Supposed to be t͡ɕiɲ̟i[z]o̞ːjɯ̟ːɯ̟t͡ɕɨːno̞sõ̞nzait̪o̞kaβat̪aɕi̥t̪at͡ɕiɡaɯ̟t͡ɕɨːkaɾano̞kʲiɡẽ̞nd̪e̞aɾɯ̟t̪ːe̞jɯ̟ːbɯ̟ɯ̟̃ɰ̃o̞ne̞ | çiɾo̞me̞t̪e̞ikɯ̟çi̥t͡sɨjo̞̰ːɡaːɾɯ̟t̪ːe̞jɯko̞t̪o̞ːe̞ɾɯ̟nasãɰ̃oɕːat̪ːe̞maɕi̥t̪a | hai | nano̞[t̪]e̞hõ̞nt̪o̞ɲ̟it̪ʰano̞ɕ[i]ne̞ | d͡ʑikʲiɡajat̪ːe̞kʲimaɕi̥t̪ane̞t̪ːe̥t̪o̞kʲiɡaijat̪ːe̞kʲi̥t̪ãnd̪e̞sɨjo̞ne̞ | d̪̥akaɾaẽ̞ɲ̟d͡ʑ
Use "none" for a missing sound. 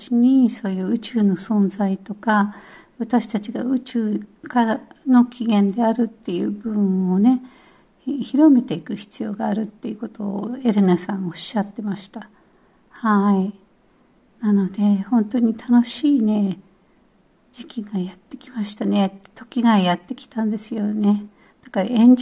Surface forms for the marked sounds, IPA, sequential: s, d̪, iː

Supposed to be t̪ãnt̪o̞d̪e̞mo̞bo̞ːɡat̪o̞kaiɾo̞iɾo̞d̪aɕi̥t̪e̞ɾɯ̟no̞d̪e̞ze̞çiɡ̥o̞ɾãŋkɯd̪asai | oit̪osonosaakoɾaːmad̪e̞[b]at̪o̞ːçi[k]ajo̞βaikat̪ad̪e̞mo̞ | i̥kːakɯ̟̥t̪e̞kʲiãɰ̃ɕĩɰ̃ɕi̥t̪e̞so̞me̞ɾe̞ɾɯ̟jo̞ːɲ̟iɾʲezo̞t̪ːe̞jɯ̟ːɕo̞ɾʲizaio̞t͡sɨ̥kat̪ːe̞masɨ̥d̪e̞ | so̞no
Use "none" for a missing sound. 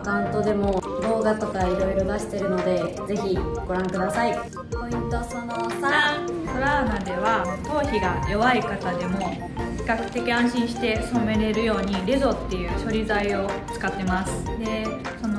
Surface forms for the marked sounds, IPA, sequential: β, ɡ

